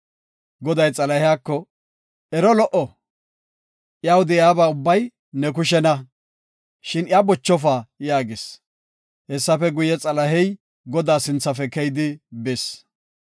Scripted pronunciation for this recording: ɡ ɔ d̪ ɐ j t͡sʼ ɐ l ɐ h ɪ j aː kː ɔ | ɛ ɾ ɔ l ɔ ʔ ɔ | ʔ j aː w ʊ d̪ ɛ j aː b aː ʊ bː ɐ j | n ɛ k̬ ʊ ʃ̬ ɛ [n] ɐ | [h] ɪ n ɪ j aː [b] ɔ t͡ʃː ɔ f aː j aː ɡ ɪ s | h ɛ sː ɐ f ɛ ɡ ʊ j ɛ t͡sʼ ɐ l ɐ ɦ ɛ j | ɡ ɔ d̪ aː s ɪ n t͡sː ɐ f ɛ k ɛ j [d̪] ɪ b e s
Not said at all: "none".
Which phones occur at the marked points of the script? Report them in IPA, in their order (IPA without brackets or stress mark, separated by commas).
n, ʃ, b, d̪